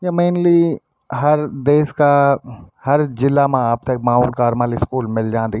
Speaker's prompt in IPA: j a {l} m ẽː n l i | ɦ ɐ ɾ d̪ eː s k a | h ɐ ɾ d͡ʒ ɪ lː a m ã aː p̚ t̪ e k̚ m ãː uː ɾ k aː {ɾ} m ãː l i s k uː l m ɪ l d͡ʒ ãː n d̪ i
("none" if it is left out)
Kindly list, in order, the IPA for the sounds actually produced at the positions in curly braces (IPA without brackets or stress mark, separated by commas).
none, ɾ